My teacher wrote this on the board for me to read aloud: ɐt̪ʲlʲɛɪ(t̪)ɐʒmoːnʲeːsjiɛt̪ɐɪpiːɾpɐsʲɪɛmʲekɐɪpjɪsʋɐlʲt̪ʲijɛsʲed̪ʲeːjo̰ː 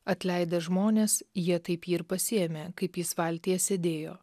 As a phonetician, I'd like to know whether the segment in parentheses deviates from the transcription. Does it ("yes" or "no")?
yes